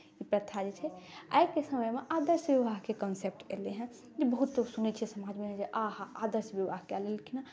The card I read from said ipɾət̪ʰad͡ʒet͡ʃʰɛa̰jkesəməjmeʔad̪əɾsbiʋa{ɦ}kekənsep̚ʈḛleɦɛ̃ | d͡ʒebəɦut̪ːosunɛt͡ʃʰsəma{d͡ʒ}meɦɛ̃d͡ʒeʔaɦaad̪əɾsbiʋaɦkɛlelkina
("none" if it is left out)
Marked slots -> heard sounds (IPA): ɦ, d͡ʒ

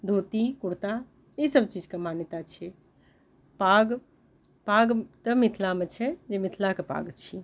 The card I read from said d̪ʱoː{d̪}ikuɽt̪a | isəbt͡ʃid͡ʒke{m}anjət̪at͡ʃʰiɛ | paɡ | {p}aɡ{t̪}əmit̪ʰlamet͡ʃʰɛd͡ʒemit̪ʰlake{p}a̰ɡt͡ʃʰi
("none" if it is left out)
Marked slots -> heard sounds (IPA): t̪, m, p, t̪, p

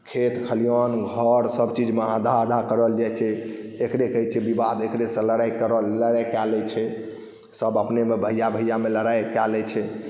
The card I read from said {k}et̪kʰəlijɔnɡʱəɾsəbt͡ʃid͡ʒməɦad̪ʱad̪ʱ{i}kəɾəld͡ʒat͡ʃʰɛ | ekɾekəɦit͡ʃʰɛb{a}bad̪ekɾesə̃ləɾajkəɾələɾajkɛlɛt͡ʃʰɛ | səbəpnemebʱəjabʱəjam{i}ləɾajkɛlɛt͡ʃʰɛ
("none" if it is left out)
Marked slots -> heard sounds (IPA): kʰ, a, i, e

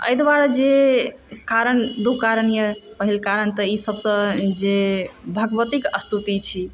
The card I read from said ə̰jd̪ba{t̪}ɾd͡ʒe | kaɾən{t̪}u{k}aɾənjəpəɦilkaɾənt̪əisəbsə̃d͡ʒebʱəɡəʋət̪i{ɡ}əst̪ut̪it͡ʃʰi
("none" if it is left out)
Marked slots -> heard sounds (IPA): none, d̪, k, k

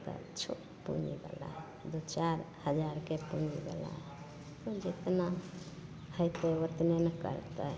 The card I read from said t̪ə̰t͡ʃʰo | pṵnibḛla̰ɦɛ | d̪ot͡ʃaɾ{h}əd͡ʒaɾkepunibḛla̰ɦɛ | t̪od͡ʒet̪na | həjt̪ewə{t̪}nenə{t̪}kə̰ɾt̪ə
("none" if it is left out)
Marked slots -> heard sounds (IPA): h, t̪, none

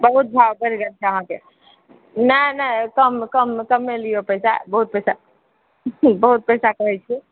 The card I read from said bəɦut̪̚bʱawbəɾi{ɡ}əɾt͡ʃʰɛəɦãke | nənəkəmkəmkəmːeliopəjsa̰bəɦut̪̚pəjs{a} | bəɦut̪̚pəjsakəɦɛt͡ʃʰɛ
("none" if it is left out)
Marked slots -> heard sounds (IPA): ɡ, a

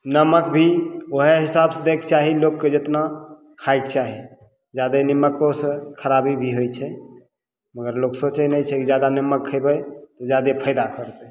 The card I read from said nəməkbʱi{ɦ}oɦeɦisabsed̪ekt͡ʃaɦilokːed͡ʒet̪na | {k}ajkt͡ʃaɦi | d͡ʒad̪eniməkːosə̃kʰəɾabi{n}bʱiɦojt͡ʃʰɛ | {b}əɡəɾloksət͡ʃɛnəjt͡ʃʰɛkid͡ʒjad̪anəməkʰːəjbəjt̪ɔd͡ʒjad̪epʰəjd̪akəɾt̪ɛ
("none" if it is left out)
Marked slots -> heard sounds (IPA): none, kʰ, none, m

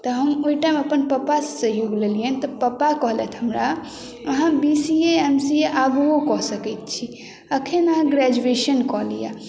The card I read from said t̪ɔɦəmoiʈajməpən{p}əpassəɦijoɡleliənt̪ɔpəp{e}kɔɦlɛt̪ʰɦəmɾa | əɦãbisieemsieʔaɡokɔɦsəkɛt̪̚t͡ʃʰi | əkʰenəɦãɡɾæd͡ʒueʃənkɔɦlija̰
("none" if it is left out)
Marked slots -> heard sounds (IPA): p, a

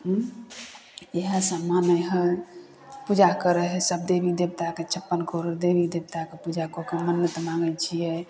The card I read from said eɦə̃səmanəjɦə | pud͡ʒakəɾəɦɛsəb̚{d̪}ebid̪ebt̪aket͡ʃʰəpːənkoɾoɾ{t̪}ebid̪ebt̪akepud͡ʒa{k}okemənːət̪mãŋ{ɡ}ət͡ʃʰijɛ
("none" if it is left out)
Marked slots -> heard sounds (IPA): d̪, d̪, k, ɡ

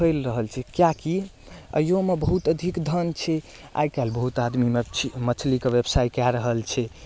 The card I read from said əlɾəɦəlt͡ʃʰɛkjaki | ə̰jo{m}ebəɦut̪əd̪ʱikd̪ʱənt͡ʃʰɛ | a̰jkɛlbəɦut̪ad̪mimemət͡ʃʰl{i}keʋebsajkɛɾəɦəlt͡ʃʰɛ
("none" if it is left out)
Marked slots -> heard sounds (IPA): m, i

